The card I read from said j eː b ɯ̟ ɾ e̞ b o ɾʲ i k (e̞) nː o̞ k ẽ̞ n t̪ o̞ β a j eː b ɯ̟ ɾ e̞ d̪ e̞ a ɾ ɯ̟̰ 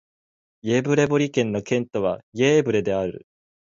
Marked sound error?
yes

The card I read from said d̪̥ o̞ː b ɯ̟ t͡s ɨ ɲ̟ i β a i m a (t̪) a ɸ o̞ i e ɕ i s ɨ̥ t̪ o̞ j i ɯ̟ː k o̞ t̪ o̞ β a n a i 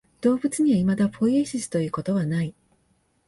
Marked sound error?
yes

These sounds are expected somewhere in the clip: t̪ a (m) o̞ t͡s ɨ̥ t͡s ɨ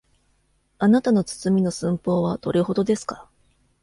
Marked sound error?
yes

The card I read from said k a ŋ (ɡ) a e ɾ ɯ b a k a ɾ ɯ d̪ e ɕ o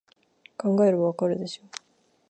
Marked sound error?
no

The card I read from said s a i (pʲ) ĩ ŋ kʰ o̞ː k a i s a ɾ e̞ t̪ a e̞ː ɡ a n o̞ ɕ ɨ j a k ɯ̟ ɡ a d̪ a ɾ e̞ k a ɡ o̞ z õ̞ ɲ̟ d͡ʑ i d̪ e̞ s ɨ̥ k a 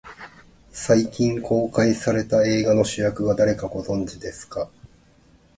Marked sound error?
yes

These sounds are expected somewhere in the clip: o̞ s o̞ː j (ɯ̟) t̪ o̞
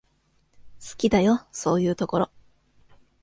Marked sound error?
yes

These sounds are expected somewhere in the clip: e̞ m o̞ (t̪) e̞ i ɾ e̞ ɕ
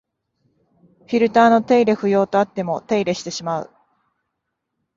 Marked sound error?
no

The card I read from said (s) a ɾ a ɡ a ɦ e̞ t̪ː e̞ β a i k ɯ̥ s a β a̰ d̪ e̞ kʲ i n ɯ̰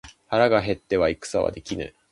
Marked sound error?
yes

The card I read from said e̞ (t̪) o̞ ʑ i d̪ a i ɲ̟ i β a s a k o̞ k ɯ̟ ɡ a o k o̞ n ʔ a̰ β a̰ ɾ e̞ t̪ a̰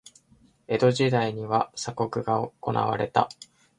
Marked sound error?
yes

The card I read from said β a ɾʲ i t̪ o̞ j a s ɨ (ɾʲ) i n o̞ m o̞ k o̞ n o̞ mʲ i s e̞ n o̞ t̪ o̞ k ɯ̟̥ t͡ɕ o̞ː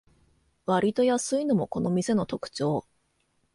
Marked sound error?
yes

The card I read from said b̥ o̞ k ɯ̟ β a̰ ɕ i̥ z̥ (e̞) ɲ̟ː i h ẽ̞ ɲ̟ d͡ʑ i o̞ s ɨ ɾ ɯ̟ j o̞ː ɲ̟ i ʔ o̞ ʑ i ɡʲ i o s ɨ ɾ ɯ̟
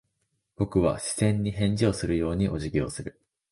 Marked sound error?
yes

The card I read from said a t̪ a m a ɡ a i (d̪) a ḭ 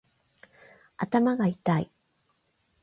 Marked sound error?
yes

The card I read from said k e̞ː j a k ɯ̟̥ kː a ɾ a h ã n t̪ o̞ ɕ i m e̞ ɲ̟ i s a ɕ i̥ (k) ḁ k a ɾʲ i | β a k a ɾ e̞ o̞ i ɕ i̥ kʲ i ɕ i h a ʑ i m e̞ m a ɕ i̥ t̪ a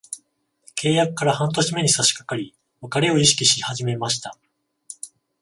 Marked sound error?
no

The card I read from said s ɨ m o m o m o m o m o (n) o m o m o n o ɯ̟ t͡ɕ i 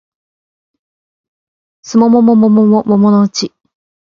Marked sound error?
yes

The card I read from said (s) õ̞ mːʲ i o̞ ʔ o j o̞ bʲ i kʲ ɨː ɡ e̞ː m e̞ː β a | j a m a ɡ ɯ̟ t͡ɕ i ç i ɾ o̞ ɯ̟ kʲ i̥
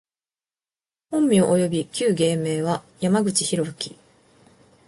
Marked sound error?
yes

